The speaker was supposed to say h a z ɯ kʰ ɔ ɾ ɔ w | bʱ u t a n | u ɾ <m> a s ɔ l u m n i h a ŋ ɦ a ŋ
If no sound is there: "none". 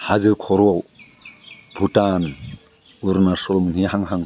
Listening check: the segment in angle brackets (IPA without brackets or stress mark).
n